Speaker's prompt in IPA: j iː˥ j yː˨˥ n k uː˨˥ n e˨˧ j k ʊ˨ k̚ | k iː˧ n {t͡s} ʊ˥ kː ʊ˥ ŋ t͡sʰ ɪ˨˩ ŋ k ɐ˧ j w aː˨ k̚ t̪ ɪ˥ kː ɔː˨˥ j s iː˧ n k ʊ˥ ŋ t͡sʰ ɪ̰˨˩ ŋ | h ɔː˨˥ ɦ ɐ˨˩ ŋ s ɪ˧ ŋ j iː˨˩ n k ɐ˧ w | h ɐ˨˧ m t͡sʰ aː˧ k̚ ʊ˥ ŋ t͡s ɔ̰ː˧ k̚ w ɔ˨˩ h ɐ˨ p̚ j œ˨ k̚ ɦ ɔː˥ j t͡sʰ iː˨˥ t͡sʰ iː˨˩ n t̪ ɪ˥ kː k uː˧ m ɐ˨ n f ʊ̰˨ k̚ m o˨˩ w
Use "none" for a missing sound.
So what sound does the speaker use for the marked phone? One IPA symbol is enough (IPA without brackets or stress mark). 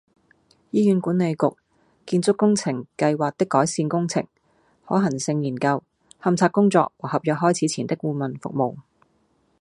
t͡s